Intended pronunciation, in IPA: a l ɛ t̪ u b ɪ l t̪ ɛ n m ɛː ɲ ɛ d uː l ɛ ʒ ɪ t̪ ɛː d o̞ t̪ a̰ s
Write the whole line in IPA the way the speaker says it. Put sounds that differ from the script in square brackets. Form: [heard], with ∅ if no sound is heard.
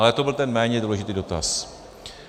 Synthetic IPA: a l ɛ t̪ [o] b ɪ l t̪ ɛ n m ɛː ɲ ɛ d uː l ɛ ʒ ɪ t̪ [iː] d o̞ t̪ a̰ s